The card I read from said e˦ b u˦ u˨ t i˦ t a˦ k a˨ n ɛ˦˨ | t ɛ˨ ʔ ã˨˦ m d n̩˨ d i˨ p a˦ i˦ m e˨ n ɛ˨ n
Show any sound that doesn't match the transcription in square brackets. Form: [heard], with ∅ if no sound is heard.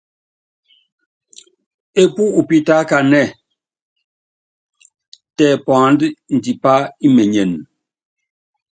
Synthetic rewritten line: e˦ [p] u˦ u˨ [p] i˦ t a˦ k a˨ n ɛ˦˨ | t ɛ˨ [p] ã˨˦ [n] d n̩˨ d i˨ p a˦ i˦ m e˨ [ɲ] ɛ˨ n